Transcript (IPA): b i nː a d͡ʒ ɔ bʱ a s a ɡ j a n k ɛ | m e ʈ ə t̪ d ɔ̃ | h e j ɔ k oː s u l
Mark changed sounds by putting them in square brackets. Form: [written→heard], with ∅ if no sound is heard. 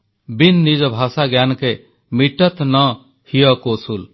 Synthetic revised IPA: b i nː [a→i] d͡ʒ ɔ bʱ a s a ɡ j a n k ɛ | m [e→i] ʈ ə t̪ [d→n] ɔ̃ | h [e→i] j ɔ k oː s u l